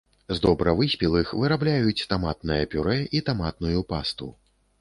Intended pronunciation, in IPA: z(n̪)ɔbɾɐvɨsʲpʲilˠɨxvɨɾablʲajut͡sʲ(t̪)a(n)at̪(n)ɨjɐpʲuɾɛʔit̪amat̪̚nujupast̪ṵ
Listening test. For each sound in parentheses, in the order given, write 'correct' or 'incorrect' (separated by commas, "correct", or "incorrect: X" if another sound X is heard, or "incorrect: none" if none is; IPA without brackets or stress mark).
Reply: incorrect: d̪, correct, incorrect: m, correct